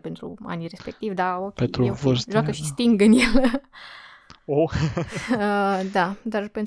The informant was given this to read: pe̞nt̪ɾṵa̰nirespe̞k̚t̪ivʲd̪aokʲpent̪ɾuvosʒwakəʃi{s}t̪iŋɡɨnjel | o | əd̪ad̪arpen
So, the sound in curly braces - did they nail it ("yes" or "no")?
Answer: yes